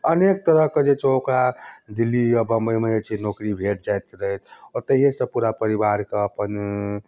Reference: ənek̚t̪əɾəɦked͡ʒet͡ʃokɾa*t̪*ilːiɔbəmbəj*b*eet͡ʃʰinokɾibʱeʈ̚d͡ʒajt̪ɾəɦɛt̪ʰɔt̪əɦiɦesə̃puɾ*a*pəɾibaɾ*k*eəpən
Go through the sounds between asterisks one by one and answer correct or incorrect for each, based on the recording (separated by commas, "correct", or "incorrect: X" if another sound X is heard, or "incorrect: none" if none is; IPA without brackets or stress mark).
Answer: incorrect: d̪, incorrect: m, correct, correct